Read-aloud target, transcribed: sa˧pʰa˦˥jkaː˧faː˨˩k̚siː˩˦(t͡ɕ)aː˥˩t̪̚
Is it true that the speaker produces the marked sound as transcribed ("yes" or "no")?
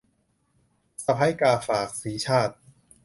no